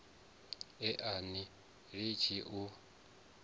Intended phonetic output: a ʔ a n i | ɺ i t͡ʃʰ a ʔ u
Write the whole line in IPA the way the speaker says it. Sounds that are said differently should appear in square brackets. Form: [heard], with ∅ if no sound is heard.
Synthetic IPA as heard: [ɛ] ʔ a n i | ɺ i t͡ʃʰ [i] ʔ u

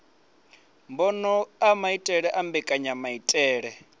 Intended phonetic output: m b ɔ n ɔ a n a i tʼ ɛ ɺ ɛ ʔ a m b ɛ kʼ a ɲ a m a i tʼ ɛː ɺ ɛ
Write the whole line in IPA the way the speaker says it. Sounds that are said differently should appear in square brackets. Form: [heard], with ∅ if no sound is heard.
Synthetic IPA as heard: m b ɔ n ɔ a [m] a i tʼ ɛ ɺ ɛ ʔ a m b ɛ kʼ a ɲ a m a i tʼ ɛː ɺ ɛ

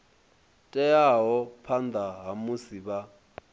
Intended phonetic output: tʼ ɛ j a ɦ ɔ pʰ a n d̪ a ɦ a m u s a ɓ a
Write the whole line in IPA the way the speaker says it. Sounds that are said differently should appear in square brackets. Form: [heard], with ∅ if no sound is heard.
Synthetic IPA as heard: tʼ ɛ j a ɦ ɔ pʰ a n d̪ a ɦ a m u s [i] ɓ a

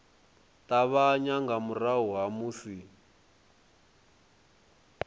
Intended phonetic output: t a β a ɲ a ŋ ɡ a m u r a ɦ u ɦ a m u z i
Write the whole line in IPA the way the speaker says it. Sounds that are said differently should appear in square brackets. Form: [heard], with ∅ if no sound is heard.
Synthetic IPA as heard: t a β a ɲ a ŋ ɡ a m u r a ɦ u ɦ a m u [s] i

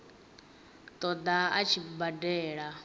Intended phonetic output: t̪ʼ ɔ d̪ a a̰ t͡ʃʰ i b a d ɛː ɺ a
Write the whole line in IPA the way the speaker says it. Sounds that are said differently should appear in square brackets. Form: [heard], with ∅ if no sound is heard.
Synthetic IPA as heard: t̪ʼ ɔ d̪ a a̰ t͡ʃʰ i b a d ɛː ɺ a

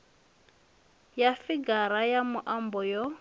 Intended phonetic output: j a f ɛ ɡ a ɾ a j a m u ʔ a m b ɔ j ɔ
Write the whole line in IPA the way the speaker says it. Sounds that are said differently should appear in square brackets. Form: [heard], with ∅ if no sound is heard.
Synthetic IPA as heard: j a f [i] ɡ a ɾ a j a m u ʔ a m b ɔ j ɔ

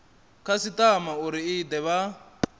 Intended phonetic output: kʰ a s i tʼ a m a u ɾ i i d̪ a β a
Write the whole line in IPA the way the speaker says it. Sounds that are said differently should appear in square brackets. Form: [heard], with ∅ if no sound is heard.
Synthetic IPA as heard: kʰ a s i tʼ a m a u ɾ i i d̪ [ɛ] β a

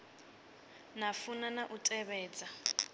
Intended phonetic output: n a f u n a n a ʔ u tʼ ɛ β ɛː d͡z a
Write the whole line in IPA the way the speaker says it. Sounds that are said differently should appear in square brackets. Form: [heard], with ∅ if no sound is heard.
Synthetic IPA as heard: n a f u n a n a ʔ u tʼ ɛ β ɛː d͡z a

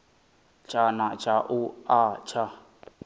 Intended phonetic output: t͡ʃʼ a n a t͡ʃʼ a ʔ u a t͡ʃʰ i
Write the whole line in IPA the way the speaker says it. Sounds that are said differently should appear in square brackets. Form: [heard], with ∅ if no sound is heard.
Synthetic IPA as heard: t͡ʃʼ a n a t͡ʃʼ a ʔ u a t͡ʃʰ [a]

